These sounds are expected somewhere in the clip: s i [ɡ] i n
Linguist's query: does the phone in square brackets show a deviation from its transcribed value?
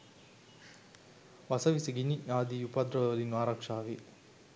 no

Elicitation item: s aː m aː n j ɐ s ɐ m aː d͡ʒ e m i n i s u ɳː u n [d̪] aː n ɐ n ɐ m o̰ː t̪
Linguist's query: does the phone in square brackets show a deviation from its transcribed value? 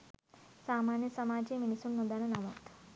no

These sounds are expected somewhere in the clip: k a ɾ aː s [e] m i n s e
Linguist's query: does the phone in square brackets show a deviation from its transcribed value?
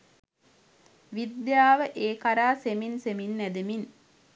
no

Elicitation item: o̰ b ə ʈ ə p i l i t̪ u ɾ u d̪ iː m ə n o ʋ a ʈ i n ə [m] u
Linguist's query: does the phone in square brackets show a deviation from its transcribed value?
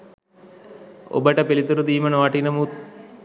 no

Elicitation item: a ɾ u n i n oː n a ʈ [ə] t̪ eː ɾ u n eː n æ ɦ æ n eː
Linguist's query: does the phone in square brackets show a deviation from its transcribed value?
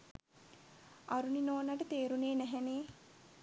no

